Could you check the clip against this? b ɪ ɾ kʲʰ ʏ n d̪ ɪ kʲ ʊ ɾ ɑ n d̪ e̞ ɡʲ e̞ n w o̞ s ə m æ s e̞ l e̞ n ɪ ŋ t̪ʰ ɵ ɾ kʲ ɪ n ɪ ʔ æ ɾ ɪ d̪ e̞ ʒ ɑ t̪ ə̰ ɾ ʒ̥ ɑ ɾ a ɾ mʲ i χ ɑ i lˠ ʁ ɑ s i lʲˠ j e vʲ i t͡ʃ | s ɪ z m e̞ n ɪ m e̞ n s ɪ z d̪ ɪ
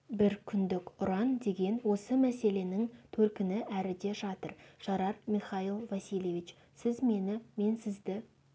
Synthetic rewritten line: b ɪ ɾ kʲʰ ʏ n d̪ ɪ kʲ ʊ ɾ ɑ n d̪ e̞ ɡʲ e̞ n w o̞ s ə m æ s e̞ l e̞ n ɪ ŋ t̪ʰ ɵ ɾ kʲ ɪ n ɪ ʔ æ ɾ ɪ d̪ e̞ ʒ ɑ t̪ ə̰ ɾ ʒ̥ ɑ ɾ ɑ ɾ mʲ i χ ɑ i lˠ v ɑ s i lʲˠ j e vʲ i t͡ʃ | s ɪ z m e̞ n ɪ m e̞ n s ɪ z d̪ ɪ